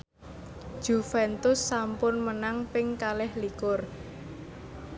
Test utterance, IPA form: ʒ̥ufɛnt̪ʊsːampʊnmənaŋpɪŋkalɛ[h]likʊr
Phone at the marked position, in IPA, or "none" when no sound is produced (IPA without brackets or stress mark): h